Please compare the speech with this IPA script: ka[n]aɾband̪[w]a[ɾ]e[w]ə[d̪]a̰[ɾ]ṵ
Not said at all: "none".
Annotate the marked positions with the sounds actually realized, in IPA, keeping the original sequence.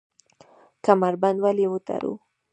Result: m, w, l, w, t̪, ɾ

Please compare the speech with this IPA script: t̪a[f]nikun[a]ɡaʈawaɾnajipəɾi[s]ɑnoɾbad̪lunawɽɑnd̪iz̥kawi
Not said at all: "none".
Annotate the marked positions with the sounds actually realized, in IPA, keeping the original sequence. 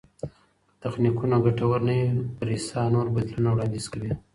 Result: x, a, s

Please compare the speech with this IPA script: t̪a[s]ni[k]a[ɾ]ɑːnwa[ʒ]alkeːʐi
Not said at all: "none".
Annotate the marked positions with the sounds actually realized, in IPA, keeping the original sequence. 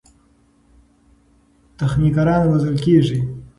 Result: x, k, ɾ, z

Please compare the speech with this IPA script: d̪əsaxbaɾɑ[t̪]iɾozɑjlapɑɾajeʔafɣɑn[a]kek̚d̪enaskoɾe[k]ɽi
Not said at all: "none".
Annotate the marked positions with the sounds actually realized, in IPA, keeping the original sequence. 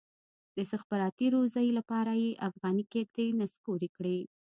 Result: t̪, i, k

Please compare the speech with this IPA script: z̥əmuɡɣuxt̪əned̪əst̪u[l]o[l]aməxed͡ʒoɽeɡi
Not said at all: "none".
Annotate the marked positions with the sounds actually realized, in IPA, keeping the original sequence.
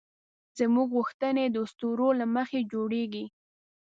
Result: ɾ, l

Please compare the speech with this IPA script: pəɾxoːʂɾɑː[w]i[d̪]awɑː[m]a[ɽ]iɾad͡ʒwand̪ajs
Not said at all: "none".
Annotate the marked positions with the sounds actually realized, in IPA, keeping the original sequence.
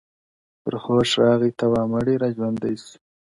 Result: ɣ, t̪, m, ɽ

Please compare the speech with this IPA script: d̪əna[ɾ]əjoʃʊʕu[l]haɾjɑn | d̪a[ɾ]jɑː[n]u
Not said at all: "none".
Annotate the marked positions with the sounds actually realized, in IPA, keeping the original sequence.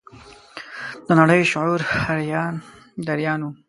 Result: ɽ, ɾ, ɾ, n

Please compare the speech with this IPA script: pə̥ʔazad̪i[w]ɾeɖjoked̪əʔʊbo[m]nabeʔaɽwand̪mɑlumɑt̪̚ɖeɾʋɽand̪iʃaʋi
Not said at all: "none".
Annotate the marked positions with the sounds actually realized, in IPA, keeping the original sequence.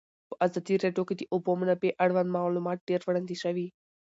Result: none, m

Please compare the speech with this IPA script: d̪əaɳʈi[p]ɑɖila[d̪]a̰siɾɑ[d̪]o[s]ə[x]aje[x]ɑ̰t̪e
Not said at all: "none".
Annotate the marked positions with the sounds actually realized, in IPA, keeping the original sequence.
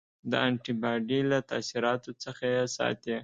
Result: b, t̪, t̪, t͡s, x, s

